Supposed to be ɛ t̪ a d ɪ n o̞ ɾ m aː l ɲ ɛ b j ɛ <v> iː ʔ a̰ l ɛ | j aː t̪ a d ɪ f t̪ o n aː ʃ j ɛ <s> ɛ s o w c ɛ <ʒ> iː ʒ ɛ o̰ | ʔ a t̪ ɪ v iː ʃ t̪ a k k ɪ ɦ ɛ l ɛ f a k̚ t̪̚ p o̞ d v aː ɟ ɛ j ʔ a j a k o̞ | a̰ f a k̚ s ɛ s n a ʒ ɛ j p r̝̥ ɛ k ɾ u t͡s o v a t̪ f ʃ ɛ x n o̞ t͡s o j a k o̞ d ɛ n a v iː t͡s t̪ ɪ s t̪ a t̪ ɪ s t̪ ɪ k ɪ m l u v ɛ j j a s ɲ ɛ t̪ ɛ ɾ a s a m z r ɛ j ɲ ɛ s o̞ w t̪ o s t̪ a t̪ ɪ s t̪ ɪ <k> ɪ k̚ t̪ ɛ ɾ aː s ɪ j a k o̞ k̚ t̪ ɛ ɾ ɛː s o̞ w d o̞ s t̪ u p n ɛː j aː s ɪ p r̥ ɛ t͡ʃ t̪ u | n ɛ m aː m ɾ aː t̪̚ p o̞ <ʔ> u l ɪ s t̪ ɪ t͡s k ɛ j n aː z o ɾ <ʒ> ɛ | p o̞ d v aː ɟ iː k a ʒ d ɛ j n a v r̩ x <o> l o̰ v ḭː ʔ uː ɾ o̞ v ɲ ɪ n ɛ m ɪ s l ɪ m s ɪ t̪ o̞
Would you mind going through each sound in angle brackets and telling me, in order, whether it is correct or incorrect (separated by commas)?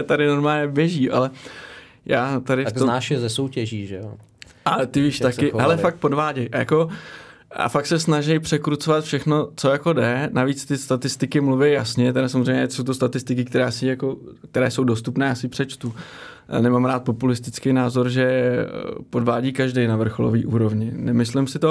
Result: incorrect, incorrect, correct, correct, incorrect, correct, correct